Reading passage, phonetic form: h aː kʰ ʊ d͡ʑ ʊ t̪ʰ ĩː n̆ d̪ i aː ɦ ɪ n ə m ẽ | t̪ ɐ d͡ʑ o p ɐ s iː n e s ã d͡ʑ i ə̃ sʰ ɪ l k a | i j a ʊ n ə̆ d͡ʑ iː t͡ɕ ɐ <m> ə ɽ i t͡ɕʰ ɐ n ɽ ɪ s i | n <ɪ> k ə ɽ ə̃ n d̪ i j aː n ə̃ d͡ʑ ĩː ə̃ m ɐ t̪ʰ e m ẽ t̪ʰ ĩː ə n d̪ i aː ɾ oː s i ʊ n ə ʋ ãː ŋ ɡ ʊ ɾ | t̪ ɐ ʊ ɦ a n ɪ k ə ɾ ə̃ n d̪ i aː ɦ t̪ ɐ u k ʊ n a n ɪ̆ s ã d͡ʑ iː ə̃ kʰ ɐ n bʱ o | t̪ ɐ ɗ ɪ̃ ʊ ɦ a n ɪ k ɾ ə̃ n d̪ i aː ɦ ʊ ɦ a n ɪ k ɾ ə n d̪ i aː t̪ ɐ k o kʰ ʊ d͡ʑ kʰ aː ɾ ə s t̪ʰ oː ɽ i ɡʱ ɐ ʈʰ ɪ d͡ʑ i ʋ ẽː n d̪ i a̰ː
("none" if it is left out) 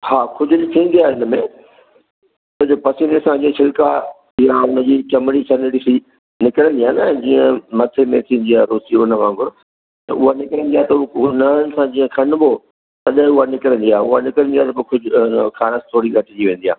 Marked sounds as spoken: m, ɪ

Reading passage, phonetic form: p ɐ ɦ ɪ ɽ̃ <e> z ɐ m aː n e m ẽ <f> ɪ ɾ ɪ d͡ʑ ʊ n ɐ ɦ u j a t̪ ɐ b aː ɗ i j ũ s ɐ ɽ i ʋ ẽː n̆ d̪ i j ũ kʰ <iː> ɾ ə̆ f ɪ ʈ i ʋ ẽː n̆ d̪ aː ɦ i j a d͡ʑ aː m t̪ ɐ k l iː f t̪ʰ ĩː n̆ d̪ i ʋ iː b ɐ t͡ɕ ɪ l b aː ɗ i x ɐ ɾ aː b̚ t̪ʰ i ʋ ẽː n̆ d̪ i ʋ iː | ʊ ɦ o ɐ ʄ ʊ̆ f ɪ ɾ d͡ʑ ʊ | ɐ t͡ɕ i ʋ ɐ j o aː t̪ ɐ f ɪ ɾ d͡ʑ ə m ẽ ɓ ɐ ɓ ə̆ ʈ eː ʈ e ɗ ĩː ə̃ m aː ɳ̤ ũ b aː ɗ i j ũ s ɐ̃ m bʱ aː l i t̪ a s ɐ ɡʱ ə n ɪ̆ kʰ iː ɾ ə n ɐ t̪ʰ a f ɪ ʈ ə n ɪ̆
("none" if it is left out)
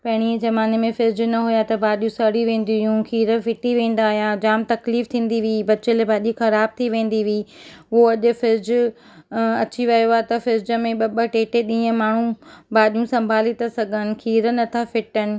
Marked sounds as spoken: i, f, iː

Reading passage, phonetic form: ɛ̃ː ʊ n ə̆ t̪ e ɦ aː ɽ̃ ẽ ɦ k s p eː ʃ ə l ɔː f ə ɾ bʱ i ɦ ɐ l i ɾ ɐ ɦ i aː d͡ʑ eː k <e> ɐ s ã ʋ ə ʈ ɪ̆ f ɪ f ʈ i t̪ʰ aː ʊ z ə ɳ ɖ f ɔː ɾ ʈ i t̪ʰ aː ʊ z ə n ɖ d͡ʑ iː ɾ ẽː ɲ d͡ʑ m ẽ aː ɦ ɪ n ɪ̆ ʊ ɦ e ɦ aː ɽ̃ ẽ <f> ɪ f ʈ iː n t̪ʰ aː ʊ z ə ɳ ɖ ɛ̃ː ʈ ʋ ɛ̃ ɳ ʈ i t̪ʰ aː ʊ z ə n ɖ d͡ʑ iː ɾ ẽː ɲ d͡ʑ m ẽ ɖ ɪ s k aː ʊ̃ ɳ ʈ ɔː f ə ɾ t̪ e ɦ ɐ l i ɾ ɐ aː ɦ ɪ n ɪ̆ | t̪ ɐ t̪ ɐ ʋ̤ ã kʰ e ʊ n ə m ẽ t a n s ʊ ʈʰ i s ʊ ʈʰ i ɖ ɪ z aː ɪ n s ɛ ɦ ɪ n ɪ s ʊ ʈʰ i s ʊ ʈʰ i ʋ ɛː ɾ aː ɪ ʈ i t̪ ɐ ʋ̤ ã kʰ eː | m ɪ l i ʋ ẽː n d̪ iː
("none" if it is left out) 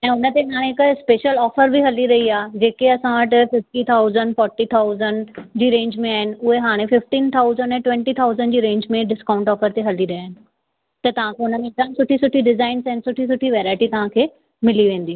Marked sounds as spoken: e, f

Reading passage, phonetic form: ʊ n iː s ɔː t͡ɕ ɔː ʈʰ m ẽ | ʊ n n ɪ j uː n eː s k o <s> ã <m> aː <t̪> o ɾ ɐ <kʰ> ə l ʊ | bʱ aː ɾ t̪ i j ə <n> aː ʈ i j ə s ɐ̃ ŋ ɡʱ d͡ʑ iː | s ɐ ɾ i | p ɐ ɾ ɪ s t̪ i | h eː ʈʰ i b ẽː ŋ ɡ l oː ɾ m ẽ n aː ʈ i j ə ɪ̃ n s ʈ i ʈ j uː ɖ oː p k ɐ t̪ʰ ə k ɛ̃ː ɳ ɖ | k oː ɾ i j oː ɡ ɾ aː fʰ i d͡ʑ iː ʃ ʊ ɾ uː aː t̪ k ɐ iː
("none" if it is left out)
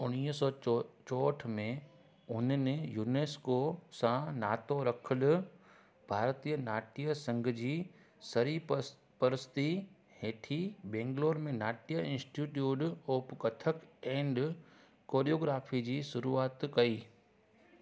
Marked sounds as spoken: s, n, t̪, kʰ, n

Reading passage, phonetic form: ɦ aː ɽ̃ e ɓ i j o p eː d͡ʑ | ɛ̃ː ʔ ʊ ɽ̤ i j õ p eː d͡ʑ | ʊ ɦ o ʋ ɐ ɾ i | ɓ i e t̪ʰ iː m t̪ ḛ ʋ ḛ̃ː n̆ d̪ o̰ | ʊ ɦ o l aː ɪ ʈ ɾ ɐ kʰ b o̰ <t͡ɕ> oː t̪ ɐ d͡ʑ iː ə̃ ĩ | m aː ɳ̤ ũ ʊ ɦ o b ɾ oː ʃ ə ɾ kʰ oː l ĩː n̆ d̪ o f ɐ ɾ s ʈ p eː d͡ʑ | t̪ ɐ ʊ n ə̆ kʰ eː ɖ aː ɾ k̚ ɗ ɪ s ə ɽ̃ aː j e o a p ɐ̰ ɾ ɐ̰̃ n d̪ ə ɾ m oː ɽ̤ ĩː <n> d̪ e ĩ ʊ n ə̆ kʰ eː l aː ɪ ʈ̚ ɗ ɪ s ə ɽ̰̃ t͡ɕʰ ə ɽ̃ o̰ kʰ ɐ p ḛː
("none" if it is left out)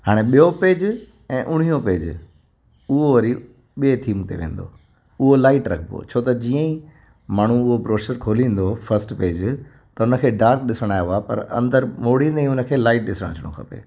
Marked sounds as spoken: t͡ɕʰ, n

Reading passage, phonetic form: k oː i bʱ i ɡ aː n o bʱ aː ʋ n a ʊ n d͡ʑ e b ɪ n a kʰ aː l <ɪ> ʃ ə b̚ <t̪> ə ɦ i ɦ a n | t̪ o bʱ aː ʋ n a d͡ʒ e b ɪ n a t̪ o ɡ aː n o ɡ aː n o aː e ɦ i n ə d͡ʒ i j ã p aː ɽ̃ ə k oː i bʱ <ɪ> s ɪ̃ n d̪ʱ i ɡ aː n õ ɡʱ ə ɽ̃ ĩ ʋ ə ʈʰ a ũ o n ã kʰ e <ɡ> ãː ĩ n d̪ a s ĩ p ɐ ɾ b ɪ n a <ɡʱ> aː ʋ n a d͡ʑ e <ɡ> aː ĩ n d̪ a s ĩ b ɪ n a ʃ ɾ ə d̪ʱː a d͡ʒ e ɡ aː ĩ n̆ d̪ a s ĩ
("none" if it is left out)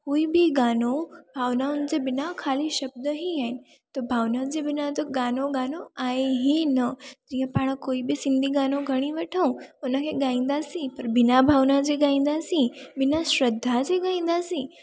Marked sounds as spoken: i, d̪, i, ɡ, bʱ, ɡ

